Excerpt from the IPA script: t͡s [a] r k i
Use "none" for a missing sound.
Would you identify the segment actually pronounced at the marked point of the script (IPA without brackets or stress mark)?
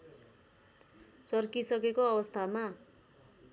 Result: ʌ